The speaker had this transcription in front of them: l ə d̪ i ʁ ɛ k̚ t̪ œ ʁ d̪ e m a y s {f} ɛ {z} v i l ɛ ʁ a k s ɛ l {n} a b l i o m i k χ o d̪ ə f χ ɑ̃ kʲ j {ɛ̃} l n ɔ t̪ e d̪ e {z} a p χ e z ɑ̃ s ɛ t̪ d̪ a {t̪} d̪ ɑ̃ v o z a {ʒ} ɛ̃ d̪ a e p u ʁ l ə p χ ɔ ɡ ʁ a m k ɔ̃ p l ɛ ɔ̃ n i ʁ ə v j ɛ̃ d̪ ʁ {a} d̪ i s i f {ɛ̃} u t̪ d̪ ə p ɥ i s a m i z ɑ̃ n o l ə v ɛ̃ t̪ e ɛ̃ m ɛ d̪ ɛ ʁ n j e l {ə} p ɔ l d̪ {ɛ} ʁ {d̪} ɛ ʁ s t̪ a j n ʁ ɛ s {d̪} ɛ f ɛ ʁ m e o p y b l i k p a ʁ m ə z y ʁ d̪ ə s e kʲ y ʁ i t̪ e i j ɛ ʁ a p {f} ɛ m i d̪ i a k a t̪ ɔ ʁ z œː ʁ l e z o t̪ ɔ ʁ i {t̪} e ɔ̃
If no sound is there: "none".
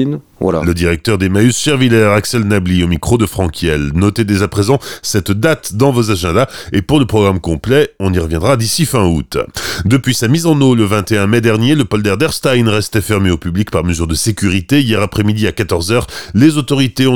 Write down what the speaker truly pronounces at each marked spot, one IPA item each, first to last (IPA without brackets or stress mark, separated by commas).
ʃ, ʁ, n, ɛ, z, t̪, ʒ, a, ɛ̃, ə, ɛ, d̪, t̪, χ, t̪